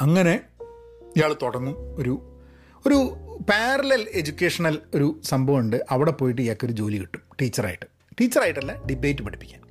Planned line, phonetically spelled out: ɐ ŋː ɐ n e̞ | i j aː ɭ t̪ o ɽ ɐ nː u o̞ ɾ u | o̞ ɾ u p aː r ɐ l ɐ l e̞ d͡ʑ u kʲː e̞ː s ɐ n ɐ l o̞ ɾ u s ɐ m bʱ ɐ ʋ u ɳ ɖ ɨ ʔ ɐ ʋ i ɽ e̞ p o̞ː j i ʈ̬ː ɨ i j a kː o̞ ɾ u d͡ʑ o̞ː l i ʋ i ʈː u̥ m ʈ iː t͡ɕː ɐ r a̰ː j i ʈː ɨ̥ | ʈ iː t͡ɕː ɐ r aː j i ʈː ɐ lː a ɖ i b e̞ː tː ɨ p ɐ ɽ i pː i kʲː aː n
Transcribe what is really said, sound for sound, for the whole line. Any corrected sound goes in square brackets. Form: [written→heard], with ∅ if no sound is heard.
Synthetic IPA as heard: ɐ ŋː ɐ n e̞ | i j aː ɭ t̪ o ɽ ɐ nː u o̞ ɾ u | o̞ ɾ u p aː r ɐ l ɐ l e̞ d͡ʑ u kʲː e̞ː [s→ʂ] ɐ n ɐ l o̞ ɾ u s ɐ m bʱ ɐ ʋ u ɳ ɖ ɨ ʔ ɐ ʋ i ɽ e̞ p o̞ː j i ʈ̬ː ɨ i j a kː o̞ ɾ u d͡ʑ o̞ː l i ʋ i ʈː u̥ m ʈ iː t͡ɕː ɐ r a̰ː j i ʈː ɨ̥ | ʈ iː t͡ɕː ɐ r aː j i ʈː ɐ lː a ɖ i b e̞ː tː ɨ p ɐ ɽ i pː i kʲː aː n